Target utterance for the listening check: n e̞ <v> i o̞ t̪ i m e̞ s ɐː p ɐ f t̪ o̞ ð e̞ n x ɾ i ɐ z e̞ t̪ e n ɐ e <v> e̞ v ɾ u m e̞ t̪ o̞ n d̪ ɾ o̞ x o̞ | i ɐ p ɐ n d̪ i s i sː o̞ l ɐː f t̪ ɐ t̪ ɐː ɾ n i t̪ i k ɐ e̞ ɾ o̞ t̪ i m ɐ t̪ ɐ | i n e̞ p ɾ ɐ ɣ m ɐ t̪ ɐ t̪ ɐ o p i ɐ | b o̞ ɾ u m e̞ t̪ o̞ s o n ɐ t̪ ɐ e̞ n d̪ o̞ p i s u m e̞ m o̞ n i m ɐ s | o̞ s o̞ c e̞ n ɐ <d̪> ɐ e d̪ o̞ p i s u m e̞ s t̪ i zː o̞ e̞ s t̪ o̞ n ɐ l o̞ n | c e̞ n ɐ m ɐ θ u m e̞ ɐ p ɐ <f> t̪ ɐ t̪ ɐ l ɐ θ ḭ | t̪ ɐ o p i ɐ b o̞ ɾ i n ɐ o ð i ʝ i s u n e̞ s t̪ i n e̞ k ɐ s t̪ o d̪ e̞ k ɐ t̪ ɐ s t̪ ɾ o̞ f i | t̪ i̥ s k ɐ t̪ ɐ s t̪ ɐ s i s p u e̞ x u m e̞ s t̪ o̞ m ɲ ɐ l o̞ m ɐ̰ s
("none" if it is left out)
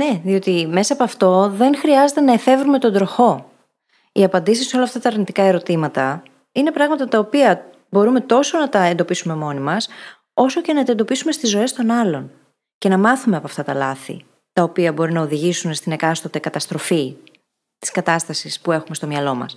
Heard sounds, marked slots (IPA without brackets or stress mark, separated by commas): ð, f, t̪, f